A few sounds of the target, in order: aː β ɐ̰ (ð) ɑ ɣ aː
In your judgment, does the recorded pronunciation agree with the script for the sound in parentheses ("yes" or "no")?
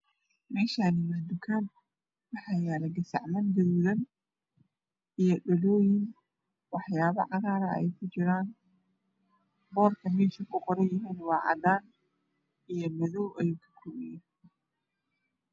no